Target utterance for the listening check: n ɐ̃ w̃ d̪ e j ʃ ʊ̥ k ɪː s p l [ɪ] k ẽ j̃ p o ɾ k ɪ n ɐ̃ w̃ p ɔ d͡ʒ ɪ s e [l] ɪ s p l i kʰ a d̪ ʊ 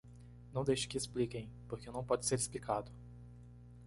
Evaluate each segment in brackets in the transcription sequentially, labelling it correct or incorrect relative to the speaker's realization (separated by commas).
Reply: incorrect, incorrect